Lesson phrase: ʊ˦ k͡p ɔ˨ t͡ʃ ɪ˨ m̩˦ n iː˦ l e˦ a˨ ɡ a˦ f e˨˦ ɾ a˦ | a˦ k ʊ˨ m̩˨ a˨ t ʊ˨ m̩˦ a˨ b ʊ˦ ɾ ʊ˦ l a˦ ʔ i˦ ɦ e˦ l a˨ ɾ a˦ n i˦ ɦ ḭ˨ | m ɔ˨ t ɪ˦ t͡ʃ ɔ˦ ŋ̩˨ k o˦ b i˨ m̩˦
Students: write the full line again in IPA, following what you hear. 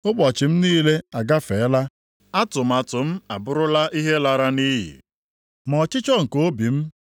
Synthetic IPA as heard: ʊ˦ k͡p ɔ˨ t͡ʃ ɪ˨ m̩˦ n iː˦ l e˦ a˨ ɡ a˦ f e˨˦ l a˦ | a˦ t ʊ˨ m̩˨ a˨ t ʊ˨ m̩˦ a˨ b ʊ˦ ɾ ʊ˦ l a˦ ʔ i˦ ɦ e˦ l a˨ ɾ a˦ n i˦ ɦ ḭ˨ | m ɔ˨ t͡ʃ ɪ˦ t͡ʃ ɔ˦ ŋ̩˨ k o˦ b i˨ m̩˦